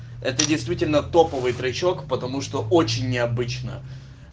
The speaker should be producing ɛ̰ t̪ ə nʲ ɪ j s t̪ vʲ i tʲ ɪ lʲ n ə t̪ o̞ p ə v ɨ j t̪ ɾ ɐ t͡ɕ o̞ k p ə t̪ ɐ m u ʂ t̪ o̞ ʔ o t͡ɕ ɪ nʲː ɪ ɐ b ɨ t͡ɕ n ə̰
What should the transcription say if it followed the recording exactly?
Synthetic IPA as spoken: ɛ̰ t̪ ə dʲ ɪ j s t̪ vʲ i tʲ ɪ lʲ n ə t̪ o̞ p ə v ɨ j t̪ ɾ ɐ t͡ɕ o̞ k p ə t̪ ɐ m u ʂ t̪ o̞ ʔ o t͡ɕ ɪ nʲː ɪ ɐ b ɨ t͡ɕ n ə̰